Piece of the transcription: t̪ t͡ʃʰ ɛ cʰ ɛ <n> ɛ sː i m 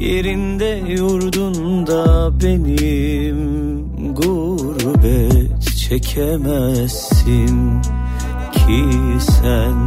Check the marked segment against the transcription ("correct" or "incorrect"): incorrect